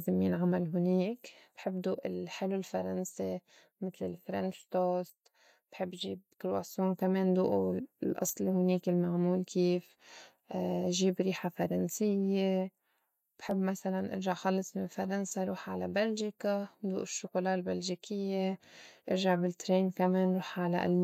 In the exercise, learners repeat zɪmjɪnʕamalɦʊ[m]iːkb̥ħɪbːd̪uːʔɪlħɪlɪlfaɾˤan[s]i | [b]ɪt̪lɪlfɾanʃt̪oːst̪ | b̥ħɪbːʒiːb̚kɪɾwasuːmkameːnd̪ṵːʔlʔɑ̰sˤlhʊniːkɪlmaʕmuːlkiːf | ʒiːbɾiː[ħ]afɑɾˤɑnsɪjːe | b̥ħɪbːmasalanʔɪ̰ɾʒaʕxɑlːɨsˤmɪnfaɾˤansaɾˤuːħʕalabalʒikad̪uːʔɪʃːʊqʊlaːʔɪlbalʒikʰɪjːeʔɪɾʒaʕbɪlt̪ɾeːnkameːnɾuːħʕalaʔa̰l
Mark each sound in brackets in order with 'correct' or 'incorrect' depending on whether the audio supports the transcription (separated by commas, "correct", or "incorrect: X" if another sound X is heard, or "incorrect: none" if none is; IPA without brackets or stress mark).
incorrect: n, correct, incorrect: m, correct